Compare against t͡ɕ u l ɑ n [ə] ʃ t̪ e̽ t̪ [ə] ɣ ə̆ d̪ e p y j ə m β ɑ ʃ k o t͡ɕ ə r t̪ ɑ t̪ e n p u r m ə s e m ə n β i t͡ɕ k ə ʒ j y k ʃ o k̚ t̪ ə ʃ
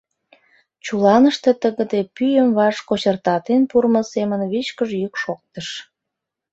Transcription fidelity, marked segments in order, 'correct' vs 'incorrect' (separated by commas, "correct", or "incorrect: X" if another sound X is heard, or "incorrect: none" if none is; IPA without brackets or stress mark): correct, correct